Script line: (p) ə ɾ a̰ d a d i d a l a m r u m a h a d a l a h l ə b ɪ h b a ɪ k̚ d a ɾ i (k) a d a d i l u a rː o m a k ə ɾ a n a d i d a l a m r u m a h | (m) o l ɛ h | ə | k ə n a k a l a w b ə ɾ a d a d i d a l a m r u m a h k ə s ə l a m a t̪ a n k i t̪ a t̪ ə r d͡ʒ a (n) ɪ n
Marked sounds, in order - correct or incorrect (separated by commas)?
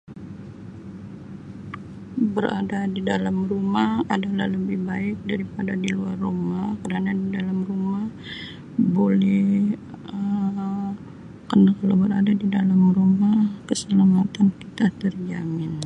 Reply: incorrect, incorrect, incorrect, incorrect